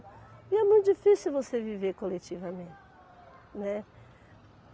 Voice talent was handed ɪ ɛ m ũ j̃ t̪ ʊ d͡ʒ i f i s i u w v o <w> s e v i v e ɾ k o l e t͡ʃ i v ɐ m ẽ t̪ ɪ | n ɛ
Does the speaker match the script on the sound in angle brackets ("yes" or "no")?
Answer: no